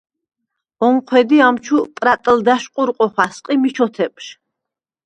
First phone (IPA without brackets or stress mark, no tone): ɔ